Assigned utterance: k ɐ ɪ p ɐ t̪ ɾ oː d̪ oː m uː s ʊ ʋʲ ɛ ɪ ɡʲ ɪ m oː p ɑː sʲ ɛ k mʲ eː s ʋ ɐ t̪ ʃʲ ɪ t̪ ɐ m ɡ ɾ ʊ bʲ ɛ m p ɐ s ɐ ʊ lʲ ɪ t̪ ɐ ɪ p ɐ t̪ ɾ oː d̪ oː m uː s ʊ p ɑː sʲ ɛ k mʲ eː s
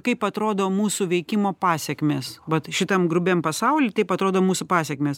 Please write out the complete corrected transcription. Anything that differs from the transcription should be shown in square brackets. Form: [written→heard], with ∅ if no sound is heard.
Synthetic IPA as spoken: k ɐ ɪ p ɐ t̪ ɾ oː d̪ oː m uː s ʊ ʋʲ ɛ ɪ [ɡʲ→kʲ] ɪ m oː p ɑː sʲ ɛ k mʲ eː s ʋ ɐ t̪ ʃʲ ɪ t̪ ɐ m ɡ ɾ ʊ bʲ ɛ m p ɐ s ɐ ʊ lʲ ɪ t̪ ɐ ɪ p ɐ t̪ ɾ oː d̪ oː m uː s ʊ p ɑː sʲ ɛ k mʲ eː s